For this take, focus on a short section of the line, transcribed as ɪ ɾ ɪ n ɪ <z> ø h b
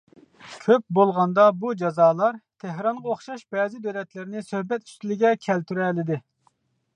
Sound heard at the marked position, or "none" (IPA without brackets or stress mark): s